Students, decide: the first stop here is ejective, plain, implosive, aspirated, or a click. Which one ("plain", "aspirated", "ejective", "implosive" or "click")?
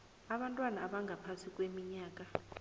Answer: implosive